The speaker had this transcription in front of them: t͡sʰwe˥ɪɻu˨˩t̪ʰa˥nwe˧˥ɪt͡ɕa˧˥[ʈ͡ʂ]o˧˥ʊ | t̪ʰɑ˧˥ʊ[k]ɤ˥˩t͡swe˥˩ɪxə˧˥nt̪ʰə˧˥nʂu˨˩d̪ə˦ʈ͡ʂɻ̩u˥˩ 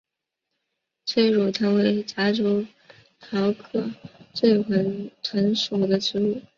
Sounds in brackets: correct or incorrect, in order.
correct, incorrect: kʰ

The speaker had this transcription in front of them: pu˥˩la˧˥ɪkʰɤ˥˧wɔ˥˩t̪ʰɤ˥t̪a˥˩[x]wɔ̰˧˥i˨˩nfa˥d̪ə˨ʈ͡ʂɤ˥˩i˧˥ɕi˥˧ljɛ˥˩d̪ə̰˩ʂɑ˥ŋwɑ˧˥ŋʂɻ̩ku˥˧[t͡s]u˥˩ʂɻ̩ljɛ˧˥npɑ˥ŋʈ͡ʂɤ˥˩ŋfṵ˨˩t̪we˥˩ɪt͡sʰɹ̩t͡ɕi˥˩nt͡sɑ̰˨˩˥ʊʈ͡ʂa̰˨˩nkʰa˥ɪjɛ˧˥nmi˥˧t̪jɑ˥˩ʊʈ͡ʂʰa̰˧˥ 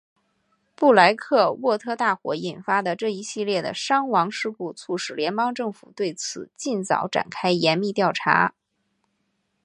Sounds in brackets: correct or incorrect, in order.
correct, incorrect: t͡sʰ

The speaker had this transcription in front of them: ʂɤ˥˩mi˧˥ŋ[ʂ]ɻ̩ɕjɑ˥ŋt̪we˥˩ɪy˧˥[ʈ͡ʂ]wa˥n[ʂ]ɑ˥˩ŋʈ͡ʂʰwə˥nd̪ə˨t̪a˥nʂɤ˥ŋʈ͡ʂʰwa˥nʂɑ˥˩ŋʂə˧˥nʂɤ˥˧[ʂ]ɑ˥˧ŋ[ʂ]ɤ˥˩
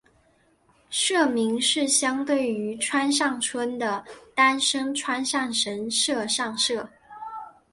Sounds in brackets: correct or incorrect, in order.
correct, incorrect: ʈ͡ʂʰ, correct, correct, correct

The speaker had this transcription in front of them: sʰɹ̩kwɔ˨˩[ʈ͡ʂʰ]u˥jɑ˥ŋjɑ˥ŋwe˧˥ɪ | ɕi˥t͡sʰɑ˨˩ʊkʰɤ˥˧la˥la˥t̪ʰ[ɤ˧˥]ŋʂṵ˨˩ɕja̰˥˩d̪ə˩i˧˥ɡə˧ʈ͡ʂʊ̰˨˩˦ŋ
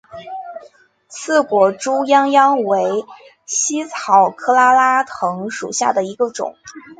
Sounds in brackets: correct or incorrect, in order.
incorrect: ʈ͡ʂ, correct

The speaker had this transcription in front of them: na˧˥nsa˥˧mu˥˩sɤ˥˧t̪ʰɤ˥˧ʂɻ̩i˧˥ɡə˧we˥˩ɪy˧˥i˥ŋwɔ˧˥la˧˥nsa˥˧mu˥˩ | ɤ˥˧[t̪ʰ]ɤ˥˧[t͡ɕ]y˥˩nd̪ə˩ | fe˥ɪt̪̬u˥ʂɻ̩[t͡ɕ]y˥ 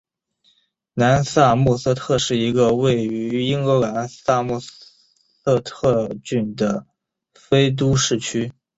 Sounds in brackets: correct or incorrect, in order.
correct, correct, incorrect: t͡ɕʰ

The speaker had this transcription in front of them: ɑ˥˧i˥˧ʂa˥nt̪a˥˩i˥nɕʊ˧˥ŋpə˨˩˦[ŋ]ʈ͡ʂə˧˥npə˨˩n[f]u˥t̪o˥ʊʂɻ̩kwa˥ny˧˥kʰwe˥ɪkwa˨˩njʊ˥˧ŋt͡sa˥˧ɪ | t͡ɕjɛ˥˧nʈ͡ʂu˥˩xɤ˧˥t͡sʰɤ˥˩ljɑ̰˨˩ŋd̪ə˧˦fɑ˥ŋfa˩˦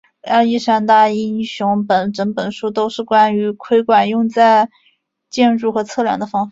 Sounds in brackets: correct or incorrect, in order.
incorrect: n, incorrect: ʂ

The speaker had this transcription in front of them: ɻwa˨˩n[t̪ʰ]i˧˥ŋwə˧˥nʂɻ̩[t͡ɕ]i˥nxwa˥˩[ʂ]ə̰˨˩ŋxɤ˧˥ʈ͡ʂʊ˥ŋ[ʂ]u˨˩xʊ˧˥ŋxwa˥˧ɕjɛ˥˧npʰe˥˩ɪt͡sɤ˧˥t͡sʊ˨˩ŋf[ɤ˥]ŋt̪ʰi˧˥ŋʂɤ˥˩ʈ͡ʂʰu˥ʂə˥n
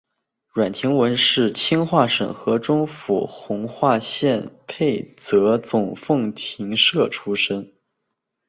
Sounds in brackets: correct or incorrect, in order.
correct, incorrect: t͡ɕʰ, correct, incorrect: f, incorrect: ɤ˥˩

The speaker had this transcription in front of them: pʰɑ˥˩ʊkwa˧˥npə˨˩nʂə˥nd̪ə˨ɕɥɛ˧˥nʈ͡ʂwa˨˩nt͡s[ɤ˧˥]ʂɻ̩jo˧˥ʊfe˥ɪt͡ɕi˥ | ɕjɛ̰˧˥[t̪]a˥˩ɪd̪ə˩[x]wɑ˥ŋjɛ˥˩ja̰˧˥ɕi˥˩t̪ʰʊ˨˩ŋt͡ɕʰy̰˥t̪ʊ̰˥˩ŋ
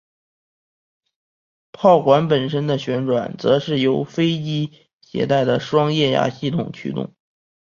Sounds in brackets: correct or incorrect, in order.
correct, correct, incorrect: ʂ

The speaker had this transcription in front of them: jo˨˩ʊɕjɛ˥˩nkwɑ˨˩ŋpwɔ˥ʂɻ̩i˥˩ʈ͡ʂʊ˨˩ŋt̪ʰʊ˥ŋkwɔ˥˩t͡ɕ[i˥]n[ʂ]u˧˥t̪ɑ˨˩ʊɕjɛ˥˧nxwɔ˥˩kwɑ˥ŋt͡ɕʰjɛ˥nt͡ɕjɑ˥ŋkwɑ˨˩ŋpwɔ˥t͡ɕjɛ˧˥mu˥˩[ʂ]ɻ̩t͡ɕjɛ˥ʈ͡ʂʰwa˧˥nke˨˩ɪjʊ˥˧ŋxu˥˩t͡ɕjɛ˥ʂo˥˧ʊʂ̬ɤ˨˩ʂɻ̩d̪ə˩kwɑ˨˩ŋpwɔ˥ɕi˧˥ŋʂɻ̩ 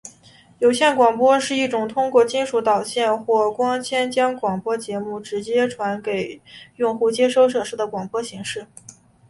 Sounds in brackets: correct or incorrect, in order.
correct, correct, incorrect: ʈ͡ʂ

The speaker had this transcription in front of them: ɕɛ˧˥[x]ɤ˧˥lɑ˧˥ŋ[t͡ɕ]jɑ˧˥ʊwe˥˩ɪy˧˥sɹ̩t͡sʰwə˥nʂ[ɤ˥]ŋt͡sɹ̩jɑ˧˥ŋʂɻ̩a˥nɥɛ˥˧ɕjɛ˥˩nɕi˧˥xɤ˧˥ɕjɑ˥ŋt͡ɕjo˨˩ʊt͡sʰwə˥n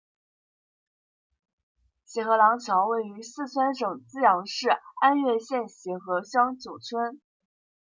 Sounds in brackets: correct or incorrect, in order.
correct, incorrect: t͡ɕʰ, incorrect: ɤ˨˩

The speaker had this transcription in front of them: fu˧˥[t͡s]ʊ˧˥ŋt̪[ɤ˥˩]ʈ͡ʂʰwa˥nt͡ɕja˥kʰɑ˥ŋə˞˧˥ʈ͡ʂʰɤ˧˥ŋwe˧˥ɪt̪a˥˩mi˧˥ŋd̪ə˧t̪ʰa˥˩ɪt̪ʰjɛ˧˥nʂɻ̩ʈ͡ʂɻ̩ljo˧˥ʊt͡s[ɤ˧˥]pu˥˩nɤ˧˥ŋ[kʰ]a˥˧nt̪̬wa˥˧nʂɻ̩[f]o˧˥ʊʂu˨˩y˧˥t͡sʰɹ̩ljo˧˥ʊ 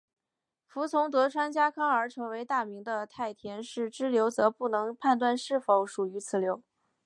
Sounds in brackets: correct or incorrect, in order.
incorrect: t͡sʰ, incorrect: ɤ˧˥, correct, incorrect: pʰ, correct

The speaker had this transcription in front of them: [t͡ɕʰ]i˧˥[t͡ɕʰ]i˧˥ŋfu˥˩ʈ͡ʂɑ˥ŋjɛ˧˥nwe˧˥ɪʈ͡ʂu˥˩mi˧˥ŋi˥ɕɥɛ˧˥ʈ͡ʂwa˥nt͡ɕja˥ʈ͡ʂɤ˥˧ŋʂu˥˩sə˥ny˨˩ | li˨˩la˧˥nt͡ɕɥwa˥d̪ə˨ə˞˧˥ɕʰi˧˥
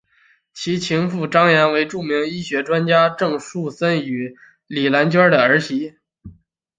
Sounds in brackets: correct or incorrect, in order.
correct, correct

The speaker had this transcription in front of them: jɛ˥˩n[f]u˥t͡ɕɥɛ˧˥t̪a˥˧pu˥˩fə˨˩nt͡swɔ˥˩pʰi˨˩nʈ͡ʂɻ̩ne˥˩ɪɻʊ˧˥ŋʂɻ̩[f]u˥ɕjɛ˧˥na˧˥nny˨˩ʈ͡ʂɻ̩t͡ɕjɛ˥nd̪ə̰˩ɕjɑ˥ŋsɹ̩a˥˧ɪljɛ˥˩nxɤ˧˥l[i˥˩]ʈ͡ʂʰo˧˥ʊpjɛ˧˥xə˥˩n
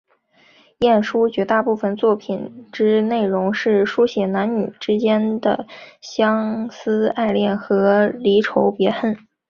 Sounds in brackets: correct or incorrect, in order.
incorrect: ʂ, incorrect: ʂ, incorrect: i˧˥

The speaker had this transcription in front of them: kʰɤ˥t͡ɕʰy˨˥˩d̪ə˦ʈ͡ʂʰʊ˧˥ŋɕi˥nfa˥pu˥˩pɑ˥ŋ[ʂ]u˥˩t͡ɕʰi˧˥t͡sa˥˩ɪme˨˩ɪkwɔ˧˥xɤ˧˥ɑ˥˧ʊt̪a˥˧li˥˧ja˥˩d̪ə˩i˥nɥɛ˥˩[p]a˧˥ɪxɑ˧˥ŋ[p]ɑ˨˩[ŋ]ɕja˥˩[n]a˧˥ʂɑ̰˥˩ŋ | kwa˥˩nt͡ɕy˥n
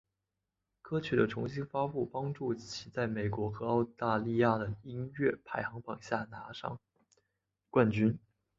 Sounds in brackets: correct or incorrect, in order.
incorrect: ʈ͡ʂ, incorrect: pʰ, correct, correct, correct

